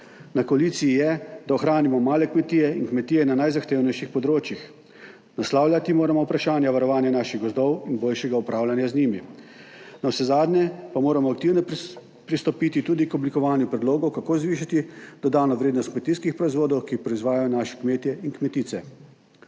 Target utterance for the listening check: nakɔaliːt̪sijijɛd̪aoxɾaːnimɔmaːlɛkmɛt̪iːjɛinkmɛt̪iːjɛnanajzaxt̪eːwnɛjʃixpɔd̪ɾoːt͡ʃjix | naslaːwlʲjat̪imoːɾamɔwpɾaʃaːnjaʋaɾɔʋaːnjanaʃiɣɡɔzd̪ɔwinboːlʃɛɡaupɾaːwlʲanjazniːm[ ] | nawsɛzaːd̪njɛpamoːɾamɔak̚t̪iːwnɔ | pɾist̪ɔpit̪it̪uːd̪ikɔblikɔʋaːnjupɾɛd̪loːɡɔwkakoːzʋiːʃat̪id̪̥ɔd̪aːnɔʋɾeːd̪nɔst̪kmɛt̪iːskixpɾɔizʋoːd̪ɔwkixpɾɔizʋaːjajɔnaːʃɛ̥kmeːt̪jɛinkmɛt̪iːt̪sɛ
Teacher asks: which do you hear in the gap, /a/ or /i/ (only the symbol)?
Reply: i